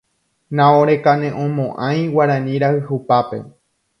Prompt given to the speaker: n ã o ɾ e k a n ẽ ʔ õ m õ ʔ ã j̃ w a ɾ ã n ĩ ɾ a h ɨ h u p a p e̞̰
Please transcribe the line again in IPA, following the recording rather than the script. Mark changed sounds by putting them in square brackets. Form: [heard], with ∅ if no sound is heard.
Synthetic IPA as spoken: n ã o ɾ e k a n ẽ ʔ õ m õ ʔ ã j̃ w a ɾ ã n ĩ ɾ a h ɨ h u p a p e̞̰